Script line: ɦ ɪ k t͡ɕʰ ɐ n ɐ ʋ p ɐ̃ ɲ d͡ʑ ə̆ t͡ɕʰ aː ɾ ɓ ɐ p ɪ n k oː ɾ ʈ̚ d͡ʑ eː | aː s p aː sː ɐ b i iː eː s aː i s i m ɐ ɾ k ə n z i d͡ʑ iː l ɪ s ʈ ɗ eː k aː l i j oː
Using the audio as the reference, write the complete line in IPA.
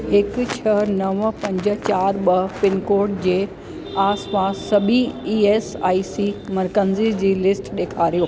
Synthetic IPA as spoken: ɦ ɪ k t͡ɕʰ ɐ n ɐ ʋ p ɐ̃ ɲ d͡ʑ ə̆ t͡ɕ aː ɾ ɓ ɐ p ɪ n k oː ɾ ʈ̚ d͡ʑ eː | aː s p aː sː ɐ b i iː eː s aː i s i m ɐ ɾ k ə n z i d͡ʑ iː l ɪ s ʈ ɗ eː kʰ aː ɾ i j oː